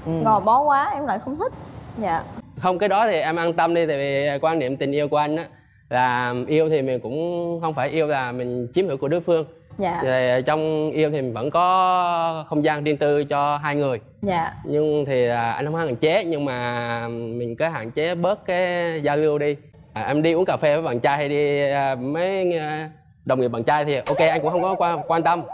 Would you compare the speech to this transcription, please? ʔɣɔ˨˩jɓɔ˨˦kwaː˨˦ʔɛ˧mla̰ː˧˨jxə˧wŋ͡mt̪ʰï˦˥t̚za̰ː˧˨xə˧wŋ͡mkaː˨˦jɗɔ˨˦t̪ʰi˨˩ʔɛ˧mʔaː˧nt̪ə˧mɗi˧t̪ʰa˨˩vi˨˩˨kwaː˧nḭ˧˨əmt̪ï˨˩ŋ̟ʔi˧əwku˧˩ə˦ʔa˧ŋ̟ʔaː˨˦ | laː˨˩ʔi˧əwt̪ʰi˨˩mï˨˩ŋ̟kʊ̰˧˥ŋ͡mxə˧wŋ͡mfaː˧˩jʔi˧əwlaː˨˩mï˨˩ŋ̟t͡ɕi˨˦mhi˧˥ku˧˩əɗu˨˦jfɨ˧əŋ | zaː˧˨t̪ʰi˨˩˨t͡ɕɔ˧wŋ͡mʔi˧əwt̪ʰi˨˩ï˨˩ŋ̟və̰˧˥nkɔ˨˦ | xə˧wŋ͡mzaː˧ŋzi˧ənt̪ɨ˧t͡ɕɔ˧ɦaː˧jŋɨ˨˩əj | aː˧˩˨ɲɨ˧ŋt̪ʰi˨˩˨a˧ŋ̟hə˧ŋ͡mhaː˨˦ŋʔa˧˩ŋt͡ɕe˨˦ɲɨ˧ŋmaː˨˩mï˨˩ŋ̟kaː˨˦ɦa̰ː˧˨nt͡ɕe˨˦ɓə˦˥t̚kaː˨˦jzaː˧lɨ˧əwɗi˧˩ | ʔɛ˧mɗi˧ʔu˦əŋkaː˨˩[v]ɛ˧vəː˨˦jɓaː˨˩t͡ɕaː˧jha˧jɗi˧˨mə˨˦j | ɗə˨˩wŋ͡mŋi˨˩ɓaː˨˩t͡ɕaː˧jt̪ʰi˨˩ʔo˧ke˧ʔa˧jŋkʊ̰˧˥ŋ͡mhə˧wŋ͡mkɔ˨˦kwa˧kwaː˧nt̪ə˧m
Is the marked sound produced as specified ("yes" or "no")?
no